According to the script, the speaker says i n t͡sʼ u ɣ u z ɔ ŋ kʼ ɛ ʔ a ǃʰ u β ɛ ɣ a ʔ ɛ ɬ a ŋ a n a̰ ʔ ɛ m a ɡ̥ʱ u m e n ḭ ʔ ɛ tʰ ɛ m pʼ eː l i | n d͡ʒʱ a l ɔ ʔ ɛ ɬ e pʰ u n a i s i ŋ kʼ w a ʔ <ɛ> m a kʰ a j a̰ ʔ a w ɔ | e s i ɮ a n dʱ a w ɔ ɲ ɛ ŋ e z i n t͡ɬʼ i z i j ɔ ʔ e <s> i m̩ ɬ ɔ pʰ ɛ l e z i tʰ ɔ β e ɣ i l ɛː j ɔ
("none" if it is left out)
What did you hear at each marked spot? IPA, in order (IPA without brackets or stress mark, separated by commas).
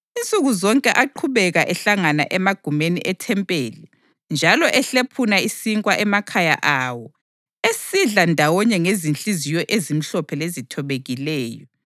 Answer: ɛ, z